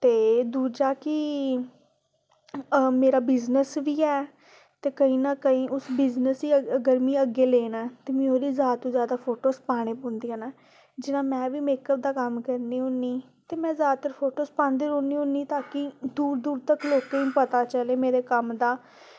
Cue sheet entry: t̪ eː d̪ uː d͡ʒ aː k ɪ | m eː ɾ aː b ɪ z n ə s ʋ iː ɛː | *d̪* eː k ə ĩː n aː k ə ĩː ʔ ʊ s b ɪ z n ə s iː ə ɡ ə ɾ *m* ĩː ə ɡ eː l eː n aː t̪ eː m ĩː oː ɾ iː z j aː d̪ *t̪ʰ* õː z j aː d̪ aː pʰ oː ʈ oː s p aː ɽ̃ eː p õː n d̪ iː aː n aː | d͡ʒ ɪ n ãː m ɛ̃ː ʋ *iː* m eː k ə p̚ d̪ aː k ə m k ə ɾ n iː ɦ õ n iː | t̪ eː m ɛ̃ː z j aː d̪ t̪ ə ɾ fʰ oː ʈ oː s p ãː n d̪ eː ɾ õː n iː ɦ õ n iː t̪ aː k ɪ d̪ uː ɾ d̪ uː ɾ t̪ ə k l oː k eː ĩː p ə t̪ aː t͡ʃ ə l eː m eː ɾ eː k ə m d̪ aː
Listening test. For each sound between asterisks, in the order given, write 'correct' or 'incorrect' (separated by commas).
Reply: incorrect, correct, incorrect, correct